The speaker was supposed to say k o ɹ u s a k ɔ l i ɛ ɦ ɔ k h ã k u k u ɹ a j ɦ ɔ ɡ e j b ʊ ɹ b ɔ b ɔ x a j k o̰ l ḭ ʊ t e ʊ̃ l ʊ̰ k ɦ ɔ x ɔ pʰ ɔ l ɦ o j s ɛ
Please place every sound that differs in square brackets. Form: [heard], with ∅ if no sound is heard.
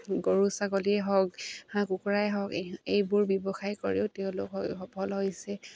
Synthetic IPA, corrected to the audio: [ɡ] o ɹ u s a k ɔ l i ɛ ɦ ɔ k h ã k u k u ɹ a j ɦ ɔ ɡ e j b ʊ ɹ b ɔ b ɔ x a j k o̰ [ɹ] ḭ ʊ t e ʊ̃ l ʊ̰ k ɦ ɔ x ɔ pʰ ɔ l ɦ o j s ɛ